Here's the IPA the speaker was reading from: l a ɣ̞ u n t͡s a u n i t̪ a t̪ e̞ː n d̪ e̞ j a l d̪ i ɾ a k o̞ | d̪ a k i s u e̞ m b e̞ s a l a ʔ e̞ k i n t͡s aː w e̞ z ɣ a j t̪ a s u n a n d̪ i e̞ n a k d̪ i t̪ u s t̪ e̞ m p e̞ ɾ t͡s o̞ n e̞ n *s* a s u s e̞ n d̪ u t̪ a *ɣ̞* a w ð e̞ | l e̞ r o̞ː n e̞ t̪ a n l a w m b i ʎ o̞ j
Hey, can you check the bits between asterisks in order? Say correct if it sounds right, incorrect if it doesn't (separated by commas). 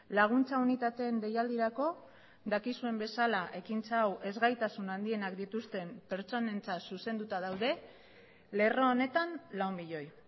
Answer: incorrect, incorrect